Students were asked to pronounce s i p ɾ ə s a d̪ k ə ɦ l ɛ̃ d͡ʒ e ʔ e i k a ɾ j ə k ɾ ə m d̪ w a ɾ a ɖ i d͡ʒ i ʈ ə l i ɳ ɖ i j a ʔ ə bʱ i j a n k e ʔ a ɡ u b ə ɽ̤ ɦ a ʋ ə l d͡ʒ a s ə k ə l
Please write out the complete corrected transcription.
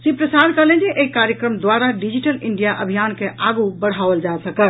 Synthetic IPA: s i p ɾ ə s a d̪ k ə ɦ l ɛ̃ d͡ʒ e ʔ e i k a ɾ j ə k ɾ ə m d̪ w a ɾ a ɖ i d͡ʒ i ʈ ə l i ɳ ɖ i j a ʔ ə bʱ i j a n k e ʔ a ɡ u b ə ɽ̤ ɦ a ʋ ə l d͡ʒ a s ə k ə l